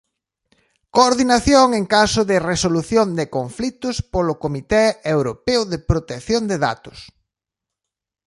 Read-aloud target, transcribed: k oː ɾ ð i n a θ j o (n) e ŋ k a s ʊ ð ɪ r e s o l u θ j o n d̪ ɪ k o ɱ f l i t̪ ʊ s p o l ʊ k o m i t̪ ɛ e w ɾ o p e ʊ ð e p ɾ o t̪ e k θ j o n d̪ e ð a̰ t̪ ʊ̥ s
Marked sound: incorrect: ŋ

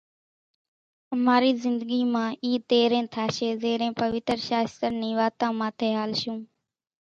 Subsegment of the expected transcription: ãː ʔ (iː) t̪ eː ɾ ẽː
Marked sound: correct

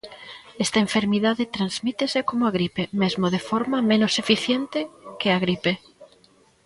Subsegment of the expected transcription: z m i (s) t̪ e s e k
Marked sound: incorrect: none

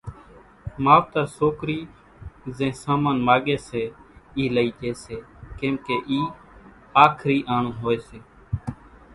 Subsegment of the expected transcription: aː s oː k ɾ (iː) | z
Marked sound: correct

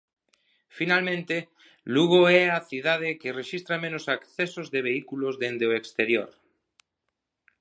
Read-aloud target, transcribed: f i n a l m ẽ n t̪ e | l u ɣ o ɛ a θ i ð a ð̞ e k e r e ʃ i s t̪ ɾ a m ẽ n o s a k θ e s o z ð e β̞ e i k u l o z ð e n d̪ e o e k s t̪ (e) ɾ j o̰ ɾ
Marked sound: correct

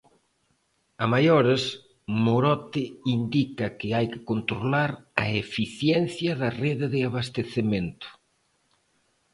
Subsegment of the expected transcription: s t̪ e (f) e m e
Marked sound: incorrect: θ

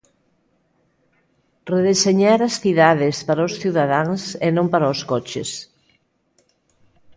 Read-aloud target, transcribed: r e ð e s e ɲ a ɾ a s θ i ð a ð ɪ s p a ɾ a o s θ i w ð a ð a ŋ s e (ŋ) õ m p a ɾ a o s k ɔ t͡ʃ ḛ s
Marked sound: incorrect: n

